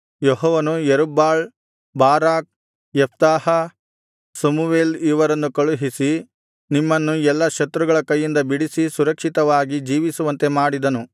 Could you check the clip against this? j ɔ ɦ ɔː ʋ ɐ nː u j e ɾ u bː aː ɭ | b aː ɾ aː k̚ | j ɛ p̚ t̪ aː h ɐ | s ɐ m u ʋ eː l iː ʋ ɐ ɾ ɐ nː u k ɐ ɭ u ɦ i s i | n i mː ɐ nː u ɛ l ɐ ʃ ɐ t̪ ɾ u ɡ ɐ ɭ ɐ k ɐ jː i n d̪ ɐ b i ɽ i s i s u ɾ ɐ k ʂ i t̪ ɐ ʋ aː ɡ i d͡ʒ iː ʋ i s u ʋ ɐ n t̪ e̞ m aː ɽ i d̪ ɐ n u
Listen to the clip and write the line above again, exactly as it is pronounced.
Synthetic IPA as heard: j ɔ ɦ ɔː ʋ ɐ n u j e ɾ u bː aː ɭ | b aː ɾ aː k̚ | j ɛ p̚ t̪ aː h ɐ | s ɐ m u ʋ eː l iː ʋ ɐ ɾ ɐ nː u k ɐ ɭ u ɦ i s i | n i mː ɐ nː u ɛ lː ɐ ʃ ɐ t̪ ɾ u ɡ ɐ ɭ ɐ k ɐ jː i n d̪ ɐ b i ɽ i s i s u ɾ ɐ k ʂ i t̪ ɐ ʋ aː ɡ i d͡ʒ iː ʋ i s u ʋ ɐ n t̪ e̞ m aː ɽ i d̪ ɐ n u